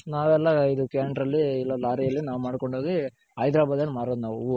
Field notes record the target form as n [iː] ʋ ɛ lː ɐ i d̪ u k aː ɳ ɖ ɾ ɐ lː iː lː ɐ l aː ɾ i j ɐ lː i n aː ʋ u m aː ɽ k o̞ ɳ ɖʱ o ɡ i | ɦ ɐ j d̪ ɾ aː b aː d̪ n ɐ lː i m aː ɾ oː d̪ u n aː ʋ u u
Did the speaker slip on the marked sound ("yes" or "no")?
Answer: yes